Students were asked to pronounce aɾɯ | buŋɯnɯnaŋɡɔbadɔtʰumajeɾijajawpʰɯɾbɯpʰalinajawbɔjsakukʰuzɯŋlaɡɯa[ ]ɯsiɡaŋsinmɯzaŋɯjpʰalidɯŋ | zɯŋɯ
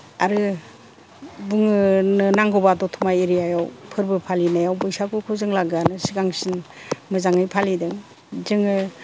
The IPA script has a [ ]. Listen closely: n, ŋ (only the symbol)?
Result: n